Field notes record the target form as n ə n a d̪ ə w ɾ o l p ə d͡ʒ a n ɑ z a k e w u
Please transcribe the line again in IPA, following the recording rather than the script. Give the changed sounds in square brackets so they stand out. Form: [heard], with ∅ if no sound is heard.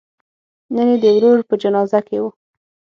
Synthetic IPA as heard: n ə n [e] d̪ ə w ɾ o [ɾ] p ə d͡ʒ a n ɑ z a k e w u